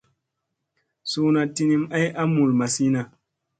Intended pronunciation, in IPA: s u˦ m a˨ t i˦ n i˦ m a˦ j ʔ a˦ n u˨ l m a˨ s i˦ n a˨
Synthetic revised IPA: s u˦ n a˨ t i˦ n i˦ m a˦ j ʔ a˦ m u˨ l m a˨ s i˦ n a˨